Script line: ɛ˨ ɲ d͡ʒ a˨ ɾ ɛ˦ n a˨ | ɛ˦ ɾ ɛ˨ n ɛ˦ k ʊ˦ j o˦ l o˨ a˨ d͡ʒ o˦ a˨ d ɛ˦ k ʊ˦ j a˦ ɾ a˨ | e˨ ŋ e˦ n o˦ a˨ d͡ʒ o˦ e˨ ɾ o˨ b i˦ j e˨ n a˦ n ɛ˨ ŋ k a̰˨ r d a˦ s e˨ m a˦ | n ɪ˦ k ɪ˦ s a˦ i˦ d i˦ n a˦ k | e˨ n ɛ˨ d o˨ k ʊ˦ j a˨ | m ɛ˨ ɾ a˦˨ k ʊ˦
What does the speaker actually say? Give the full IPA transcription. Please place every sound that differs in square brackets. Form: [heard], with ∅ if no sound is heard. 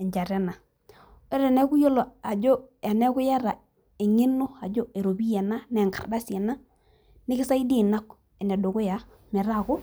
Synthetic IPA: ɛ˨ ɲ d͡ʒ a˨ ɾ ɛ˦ n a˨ | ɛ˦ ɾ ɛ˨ n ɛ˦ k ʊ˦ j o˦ l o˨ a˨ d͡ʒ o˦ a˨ [n] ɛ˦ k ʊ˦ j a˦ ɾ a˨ | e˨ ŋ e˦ n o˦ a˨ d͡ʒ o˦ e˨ ɾ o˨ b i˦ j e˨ n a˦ n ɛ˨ ŋ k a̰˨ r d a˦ s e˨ [n] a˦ | n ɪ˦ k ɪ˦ s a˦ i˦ d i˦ n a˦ k | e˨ n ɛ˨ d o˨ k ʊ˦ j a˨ | m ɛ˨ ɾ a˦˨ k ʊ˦